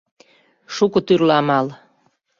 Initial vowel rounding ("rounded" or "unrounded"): rounded